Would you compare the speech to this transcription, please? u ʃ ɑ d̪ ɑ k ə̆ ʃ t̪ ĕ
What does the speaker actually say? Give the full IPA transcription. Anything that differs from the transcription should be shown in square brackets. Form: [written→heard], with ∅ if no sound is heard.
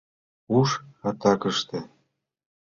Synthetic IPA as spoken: u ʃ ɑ [d̪→t̪] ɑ k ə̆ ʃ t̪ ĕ